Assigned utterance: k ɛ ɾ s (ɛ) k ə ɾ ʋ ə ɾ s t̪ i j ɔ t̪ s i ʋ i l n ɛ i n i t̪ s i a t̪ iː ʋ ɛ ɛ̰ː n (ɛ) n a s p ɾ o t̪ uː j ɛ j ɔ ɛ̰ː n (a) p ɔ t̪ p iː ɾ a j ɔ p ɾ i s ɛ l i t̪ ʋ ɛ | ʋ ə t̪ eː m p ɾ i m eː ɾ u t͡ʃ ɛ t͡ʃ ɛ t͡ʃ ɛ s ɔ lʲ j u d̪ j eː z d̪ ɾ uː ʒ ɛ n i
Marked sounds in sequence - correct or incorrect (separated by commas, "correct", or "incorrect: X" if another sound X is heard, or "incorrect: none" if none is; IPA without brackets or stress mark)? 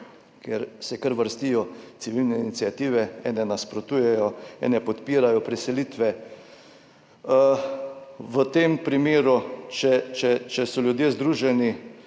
correct, correct, incorrect: ɛ